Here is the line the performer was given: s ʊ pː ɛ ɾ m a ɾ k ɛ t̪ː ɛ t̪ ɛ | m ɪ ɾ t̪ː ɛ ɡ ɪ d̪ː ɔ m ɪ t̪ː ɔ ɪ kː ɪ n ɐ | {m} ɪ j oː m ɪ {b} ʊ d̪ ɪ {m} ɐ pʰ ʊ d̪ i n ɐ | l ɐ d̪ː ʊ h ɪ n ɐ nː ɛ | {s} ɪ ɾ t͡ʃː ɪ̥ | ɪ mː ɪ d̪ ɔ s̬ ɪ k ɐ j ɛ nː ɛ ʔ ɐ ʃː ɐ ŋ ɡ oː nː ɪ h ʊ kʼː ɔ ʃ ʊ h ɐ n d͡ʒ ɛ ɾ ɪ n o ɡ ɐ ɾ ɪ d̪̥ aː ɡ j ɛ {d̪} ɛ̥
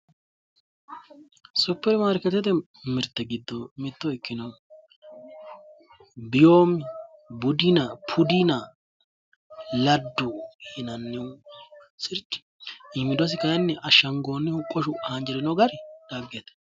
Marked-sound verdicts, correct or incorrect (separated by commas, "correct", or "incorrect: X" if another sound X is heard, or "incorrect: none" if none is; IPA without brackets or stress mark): incorrect: b, correct, incorrect: n, correct, incorrect: t̪